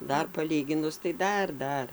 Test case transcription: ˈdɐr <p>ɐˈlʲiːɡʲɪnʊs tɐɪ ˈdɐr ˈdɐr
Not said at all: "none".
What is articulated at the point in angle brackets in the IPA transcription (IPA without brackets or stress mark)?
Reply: p